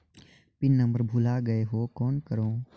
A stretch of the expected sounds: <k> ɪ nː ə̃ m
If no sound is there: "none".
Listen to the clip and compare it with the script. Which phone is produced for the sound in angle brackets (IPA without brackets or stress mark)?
p